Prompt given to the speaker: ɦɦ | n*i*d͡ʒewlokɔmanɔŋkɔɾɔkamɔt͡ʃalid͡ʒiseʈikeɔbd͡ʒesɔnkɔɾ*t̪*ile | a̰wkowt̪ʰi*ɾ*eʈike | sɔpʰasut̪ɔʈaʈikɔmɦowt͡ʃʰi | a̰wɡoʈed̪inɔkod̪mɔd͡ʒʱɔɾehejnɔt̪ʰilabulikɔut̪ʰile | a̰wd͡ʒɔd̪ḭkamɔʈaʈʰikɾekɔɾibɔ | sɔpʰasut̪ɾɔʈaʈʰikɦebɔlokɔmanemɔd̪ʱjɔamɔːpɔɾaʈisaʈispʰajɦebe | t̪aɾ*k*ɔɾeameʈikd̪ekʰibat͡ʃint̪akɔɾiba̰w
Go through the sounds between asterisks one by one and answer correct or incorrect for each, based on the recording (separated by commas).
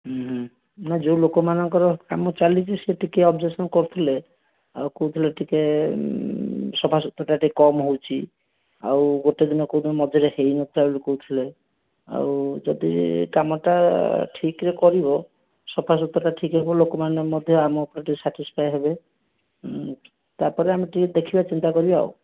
incorrect, incorrect, incorrect, incorrect